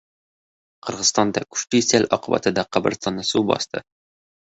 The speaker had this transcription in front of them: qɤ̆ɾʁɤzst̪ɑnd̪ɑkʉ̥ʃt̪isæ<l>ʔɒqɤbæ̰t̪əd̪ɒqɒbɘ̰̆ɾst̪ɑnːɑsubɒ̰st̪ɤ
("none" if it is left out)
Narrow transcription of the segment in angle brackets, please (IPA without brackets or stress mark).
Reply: l